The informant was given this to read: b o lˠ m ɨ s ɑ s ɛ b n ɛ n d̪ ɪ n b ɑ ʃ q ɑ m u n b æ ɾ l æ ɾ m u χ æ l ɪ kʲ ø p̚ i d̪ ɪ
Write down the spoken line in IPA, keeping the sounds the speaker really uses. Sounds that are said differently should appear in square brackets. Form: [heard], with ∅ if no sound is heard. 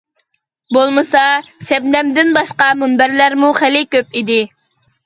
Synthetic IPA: b o lˠ m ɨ s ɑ s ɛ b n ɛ [m] d̪ ɪ n b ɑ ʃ q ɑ m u n b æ ɾ l æ ɾ m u χ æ l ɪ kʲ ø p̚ i d̪ ɪ

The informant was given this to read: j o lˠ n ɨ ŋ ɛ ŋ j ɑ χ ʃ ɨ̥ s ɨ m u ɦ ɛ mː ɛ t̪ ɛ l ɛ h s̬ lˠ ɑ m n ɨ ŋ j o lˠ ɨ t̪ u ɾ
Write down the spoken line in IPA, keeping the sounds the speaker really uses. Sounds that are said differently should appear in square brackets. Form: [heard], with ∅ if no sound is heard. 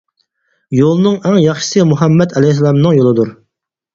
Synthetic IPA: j o lˠ n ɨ ŋ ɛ ŋ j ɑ χ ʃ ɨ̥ s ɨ m u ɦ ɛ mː ɛ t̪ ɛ l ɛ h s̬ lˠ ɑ m n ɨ ŋ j o lˠ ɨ [d̪] u ɾ

